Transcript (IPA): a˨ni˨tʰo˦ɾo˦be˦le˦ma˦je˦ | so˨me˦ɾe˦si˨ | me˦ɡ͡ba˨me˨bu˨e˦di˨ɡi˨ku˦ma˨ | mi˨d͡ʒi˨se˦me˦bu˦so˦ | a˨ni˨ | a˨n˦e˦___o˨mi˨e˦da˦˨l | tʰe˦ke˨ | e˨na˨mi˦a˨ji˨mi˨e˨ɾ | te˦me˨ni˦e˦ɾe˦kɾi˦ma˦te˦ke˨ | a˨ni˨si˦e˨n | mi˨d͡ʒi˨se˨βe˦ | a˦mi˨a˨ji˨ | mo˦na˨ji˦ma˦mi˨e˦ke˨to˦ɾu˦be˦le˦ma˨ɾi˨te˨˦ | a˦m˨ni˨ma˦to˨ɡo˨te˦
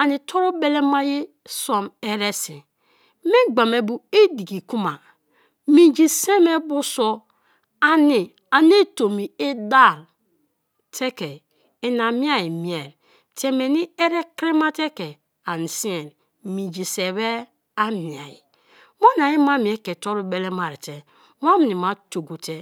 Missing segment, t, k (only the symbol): t